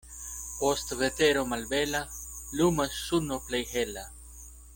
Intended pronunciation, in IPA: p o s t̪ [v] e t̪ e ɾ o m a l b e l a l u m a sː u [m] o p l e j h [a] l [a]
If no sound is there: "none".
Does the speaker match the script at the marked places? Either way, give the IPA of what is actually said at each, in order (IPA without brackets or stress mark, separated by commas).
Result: v, n, e, a